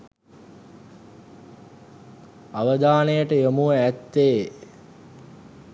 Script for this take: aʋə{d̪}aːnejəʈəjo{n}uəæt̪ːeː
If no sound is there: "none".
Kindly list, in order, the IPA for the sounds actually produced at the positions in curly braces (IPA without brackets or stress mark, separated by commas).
d̪, m